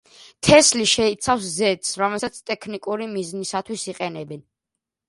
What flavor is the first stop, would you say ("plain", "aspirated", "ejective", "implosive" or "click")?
aspirated